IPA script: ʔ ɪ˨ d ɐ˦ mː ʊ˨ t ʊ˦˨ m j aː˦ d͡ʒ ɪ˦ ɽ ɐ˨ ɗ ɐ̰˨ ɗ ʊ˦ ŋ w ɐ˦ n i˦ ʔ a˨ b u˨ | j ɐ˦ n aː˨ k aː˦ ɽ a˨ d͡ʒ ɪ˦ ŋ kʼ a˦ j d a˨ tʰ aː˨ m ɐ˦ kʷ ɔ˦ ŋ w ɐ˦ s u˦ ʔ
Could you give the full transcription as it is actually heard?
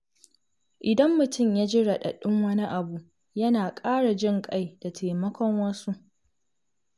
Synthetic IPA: ʔ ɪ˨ d ɐ˦ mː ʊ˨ t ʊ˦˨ m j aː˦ d͡ʒ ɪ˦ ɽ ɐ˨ ɗ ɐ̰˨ ɗ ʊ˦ ŋ w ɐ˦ n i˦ ʔ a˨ b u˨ | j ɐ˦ n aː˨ kʼ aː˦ ɽ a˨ d͡ʒ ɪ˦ ŋ kʼ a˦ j d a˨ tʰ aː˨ m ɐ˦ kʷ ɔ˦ ŋ w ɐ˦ s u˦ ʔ